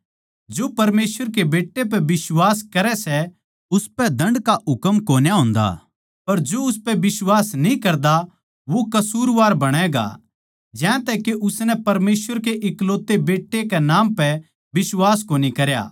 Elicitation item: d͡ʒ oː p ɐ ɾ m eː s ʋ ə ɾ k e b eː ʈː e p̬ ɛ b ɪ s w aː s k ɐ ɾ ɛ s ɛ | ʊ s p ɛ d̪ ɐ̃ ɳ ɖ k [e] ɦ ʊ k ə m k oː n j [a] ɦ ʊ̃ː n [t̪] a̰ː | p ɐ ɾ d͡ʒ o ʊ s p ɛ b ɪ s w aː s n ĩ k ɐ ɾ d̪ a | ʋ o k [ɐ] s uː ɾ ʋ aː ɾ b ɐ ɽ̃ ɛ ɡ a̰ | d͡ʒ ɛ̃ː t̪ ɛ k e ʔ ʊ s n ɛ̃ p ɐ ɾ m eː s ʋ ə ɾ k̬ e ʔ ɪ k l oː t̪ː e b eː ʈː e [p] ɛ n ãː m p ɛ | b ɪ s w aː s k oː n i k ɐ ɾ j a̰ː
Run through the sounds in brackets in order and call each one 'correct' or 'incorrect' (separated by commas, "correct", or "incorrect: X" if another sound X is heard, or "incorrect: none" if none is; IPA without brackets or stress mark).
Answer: incorrect: a, correct, incorrect: d̪, correct, incorrect: k